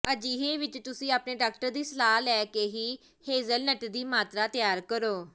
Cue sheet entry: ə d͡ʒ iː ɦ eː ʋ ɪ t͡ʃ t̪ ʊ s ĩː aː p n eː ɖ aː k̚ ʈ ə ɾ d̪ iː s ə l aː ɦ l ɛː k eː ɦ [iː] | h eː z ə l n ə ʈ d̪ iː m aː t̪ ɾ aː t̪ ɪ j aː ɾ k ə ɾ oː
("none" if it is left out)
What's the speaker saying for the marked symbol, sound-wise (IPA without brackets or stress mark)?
iː